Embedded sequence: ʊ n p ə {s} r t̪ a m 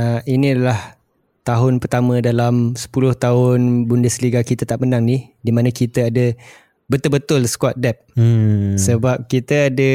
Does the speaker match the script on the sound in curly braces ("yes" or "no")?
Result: no